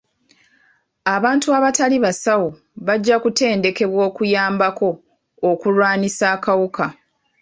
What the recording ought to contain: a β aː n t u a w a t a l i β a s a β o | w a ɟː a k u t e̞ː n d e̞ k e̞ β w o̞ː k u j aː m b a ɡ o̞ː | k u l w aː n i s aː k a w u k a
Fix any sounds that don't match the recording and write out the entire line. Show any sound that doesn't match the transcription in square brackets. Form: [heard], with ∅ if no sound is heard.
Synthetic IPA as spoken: a β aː n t u a [β] a t a l i β a s a [w] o | [β] a ɟː a k u t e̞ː n d e̞ k e̞ β w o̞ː k u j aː m b a [k] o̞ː | k u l w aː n i s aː k a w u k a